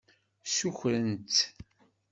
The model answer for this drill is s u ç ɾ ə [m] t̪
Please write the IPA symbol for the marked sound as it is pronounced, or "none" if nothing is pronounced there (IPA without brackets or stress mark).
n